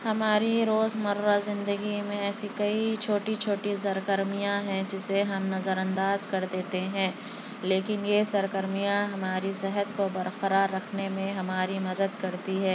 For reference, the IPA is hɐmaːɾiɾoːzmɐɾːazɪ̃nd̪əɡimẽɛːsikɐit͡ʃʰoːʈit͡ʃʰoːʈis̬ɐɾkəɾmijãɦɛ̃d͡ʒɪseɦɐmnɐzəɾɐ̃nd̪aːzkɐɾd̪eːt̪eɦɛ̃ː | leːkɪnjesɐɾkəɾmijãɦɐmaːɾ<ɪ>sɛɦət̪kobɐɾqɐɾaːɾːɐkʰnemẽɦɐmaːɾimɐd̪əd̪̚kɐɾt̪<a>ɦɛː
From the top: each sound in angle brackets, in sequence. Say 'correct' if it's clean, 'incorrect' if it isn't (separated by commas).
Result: incorrect, incorrect